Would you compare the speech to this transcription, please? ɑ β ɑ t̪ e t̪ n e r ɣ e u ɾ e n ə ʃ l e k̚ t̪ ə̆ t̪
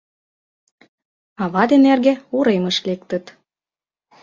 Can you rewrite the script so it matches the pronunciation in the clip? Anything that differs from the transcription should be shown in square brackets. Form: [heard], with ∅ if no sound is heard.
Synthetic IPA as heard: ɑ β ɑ [d̪] e [∅] n e r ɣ e u ɾ e [m] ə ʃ l e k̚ t̪ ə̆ t̪